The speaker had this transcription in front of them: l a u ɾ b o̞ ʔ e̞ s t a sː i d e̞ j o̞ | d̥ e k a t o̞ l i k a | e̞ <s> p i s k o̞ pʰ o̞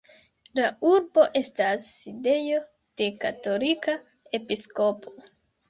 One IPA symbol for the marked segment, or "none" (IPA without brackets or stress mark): none